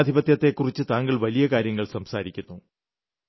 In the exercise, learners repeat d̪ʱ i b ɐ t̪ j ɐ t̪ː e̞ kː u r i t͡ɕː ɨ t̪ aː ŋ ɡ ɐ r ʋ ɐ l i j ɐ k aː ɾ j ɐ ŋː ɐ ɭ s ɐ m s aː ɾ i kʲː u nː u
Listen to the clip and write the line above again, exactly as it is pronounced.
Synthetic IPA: d̪ʱ i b ɐ t̪ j ɐ t̪ː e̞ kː u r i t͡ɕː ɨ t̪ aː ŋ ɡ ɐ ɭ ʋ ɐ l i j ɐ k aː ɾ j ɐ ŋː ɐ ɭ s ɐ m s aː ɾ i kʲː u nː u